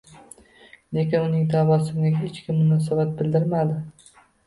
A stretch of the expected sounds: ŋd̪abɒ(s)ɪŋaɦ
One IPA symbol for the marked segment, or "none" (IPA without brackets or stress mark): s